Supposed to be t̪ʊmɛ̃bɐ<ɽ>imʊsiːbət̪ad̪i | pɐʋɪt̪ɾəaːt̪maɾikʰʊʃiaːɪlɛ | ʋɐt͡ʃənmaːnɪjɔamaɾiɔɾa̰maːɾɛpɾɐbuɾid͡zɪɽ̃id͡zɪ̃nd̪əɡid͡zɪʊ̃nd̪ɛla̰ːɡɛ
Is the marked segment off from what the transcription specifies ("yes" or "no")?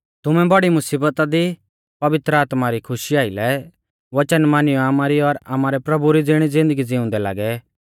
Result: no